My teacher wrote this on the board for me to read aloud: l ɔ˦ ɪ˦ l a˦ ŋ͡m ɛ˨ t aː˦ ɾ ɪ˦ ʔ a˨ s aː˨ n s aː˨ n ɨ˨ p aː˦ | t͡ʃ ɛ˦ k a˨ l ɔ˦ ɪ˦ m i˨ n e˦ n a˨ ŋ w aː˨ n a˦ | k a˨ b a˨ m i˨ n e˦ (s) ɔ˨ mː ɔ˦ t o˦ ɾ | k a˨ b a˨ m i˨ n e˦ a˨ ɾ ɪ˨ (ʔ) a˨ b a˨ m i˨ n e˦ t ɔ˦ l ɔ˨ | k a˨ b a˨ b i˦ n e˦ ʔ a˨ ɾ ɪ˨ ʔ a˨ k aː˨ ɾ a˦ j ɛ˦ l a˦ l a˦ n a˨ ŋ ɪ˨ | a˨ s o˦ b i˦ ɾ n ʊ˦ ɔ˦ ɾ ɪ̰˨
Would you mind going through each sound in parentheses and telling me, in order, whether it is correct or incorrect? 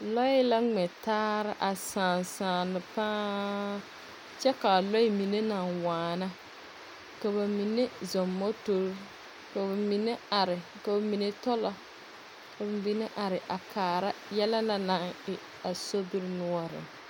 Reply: incorrect: z, incorrect: k

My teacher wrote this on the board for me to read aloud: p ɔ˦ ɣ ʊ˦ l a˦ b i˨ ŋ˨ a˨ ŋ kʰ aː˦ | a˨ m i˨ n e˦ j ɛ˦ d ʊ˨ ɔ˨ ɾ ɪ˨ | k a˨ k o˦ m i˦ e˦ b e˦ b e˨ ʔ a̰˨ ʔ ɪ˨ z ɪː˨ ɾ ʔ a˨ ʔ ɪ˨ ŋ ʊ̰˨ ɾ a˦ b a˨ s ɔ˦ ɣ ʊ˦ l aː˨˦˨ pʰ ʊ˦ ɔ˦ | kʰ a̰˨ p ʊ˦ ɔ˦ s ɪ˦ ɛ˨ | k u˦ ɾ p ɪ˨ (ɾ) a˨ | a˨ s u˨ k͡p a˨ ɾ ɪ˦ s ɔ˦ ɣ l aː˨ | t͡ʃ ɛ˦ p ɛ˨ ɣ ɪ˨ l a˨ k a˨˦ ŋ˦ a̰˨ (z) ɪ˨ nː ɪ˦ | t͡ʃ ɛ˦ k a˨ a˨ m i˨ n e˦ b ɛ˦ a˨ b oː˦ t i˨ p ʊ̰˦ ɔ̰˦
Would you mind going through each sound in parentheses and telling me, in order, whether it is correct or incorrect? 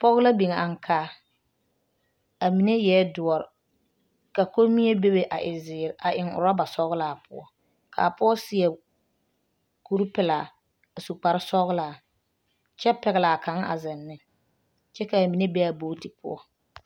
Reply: incorrect: l, correct

